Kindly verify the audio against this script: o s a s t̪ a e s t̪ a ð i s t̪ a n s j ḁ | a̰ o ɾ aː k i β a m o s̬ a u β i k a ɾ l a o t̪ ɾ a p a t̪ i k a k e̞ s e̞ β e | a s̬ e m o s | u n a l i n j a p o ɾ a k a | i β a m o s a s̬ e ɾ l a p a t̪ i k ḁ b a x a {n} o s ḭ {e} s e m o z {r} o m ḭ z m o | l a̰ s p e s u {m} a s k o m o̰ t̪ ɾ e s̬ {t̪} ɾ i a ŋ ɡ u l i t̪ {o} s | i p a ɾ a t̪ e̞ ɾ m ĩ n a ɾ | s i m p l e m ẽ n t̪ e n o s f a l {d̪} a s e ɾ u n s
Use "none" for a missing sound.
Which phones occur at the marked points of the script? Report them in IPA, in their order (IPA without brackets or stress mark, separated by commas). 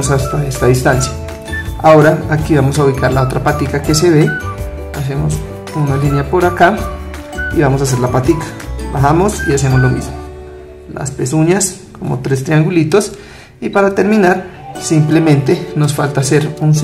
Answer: m, a, l, ɲ, t̪, o, t̪